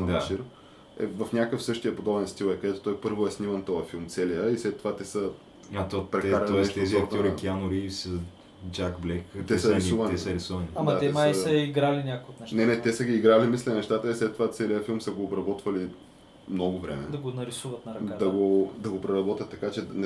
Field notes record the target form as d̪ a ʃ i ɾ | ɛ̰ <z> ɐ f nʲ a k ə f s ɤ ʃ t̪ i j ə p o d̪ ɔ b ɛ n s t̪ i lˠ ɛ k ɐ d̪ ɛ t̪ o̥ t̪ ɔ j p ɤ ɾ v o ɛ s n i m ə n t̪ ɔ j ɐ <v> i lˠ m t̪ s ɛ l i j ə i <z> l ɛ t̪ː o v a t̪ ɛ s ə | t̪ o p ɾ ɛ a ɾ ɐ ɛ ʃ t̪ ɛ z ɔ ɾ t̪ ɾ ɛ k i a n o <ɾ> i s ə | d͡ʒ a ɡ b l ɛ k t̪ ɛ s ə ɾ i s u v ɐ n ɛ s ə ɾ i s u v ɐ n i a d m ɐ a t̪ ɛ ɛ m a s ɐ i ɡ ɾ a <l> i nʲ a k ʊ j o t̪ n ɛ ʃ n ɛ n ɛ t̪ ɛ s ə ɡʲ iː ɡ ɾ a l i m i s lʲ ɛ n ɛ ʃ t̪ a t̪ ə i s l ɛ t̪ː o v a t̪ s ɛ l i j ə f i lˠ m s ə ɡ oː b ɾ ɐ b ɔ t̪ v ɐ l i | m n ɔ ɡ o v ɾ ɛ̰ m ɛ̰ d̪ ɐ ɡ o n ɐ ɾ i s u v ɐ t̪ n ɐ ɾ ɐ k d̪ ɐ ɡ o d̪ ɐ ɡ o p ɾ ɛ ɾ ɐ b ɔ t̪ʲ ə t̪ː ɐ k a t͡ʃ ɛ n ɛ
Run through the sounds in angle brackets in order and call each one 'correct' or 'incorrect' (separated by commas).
incorrect, incorrect, incorrect, correct, correct